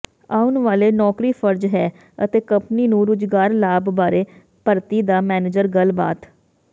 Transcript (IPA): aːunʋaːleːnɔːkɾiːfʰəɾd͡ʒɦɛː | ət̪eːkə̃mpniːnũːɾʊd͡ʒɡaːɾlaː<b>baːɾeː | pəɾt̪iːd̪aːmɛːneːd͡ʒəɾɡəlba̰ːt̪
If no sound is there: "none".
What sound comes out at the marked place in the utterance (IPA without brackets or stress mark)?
b